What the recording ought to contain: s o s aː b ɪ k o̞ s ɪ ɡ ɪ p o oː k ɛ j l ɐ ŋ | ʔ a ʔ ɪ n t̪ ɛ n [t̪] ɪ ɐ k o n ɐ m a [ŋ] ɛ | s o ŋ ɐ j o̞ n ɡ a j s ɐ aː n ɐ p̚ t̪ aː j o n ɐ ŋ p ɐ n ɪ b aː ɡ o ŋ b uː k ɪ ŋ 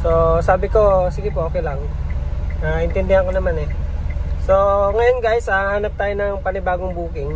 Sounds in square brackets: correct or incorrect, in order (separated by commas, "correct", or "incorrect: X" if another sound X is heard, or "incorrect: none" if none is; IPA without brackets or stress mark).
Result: incorrect: d̪, incorrect: n